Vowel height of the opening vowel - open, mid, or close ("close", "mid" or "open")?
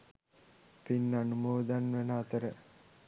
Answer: close